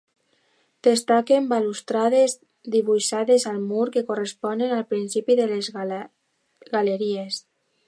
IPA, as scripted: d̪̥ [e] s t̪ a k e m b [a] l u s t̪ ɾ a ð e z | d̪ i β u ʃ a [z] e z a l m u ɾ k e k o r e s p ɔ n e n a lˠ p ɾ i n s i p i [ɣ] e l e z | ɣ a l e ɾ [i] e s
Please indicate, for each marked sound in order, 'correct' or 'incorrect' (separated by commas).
correct, correct, incorrect, incorrect, correct